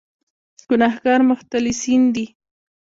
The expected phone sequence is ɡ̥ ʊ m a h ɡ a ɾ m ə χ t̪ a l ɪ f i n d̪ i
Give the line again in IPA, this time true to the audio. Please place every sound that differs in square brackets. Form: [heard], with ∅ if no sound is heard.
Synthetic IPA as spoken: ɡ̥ ʊ [n] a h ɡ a ɾ m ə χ t̪ a l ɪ [s] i n d̪ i